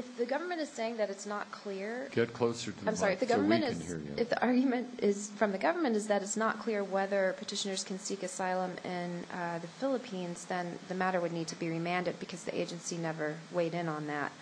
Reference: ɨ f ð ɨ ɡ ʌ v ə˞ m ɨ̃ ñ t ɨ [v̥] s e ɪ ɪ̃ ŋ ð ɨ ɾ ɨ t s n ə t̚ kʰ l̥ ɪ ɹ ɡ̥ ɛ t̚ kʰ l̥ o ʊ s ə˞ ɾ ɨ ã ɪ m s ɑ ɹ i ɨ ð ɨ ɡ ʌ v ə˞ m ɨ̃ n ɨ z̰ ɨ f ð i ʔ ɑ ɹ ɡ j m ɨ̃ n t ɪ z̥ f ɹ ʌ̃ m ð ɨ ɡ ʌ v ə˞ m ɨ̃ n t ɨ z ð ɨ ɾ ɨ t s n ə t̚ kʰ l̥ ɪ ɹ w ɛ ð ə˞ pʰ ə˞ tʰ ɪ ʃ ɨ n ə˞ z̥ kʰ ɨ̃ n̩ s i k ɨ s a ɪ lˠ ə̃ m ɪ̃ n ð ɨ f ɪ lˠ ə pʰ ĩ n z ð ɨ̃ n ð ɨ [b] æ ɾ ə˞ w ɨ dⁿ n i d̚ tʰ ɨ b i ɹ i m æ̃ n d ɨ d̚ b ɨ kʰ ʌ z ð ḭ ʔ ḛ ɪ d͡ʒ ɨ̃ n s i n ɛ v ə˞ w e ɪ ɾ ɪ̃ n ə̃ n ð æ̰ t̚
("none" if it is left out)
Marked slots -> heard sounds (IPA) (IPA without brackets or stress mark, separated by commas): z̥, m